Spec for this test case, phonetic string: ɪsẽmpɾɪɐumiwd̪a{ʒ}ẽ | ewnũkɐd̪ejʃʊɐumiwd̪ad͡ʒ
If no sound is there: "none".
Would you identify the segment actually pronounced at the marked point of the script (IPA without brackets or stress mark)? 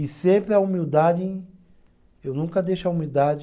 d͡ʒ